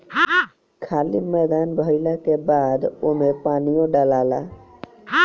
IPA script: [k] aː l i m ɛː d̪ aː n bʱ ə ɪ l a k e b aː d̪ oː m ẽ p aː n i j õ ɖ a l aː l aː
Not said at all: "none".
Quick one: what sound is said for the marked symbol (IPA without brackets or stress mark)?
kʰ